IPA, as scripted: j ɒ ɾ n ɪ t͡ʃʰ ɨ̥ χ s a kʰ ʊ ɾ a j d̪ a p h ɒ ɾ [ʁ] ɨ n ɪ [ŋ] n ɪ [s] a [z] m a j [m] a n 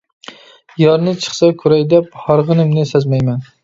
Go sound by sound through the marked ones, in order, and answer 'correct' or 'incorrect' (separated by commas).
correct, incorrect, correct, correct, correct